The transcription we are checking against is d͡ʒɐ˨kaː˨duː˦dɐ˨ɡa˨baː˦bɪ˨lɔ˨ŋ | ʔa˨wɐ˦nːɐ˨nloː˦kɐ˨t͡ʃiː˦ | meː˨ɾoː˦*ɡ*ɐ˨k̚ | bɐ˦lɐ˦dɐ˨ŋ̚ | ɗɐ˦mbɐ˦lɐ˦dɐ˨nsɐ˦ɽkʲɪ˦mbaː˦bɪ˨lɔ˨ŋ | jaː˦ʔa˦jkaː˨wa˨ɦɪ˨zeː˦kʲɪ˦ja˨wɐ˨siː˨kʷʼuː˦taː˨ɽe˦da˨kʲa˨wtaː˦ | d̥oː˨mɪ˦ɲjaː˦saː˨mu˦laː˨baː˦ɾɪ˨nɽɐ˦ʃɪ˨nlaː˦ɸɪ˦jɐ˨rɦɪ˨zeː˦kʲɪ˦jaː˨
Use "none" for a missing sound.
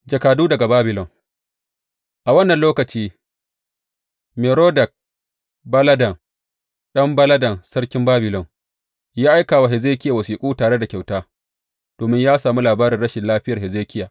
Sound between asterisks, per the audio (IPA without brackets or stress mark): d